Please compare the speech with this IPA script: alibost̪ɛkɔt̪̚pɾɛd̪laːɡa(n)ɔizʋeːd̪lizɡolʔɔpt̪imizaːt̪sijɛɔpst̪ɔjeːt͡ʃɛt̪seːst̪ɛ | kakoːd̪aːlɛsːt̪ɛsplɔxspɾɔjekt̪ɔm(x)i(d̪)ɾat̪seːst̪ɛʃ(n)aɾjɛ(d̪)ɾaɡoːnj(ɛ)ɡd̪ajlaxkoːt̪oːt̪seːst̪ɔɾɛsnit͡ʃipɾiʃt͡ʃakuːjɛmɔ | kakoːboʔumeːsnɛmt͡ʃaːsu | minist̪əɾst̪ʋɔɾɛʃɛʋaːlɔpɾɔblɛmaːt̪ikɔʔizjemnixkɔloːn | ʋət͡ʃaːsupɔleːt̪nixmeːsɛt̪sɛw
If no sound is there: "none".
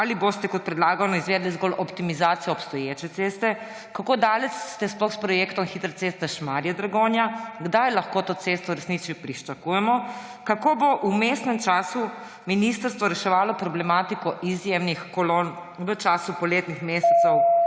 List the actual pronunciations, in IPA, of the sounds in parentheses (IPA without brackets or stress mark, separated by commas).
n, x, t̪, m, d̪, a